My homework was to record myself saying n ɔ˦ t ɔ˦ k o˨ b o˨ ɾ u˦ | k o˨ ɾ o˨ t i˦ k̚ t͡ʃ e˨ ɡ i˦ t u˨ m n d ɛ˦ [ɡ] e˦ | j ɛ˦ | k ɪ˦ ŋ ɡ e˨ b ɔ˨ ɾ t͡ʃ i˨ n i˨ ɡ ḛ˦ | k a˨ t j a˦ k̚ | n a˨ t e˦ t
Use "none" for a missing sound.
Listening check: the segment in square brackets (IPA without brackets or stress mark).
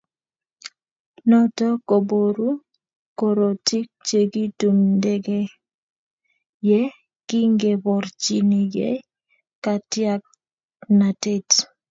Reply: ɡ